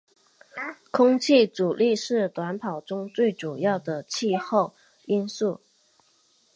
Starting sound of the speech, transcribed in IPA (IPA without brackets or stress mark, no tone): kʰ